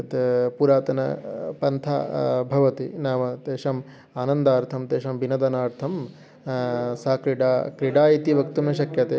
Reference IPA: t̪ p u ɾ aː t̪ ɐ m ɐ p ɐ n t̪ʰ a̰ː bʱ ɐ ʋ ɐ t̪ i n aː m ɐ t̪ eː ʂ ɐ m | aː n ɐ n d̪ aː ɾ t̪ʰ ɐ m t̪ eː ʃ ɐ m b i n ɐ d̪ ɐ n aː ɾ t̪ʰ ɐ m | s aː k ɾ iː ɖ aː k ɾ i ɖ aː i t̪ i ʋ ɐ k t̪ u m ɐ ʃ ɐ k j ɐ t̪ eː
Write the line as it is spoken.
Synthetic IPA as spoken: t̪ p u ɾ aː t̪ ɐ n ɐ p ɐ n t̪ʰ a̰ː bʱ ɐ ʋ ɐ t̪ i n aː m ɐ t̪ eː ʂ ɐ m | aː n ɐ n d̪ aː ɾ t̪ʰ ɐ m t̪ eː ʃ ɐ m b i n ɐ d̪ ɐ n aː ɾ t̪ʰ ɐ m | s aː k ɾ i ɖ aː k ɾ i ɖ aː i t̪ i ʋ ɐ k t̪ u m ɐ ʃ ɐ k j ɐ t̪ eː